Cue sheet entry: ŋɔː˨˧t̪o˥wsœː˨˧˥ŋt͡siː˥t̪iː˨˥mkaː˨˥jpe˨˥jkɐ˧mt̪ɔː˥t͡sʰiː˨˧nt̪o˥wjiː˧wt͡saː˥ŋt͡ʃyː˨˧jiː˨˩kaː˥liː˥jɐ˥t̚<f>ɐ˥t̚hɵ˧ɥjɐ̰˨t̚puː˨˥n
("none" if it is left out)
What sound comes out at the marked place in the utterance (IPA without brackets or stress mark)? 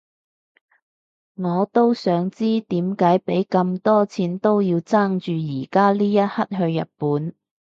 h